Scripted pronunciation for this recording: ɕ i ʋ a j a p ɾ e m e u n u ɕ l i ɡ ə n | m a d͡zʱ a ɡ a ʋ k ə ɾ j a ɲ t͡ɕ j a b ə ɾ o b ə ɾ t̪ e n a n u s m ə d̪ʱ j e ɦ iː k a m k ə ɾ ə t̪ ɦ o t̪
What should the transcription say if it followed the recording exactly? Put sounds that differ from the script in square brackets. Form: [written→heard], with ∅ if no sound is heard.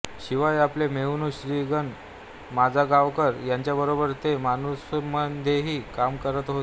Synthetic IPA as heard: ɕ i ʋ a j a p [ɾ→l] e m e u n u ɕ [l→ɾ] i ɡ ə n | m a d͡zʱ a ɡ a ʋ k ə ɾ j a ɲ t͡ɕ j a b ə ɾ o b ə ɾ t̪ e [n→m] a n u s m ə d̪ʱ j e ɦ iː k a m k ə ɾ ə t̪ ɦ o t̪